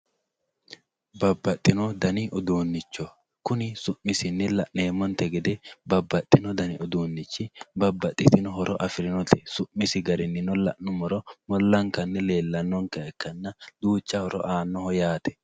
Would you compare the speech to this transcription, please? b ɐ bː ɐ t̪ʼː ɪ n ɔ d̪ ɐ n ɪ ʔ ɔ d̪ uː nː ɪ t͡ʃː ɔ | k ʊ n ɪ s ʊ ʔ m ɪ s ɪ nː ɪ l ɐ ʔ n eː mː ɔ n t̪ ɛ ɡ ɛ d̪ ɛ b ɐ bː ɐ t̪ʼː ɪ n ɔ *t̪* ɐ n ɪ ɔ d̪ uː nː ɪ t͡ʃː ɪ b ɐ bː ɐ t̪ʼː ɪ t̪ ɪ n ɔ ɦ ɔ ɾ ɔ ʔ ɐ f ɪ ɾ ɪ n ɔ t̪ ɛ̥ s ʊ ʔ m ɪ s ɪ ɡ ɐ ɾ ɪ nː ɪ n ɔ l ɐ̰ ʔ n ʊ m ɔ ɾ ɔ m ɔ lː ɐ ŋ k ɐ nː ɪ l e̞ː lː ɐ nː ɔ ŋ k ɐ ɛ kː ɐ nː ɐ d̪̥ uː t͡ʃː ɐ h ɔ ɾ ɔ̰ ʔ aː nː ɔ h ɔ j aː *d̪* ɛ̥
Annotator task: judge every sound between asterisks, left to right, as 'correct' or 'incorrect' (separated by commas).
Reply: incorrect, incorrect